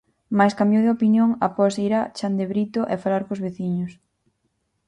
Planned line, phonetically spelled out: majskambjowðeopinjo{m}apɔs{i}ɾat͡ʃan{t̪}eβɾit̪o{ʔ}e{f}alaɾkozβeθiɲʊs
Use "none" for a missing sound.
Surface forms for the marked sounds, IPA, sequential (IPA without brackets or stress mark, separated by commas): ŋ, i, d̪, ʔ, f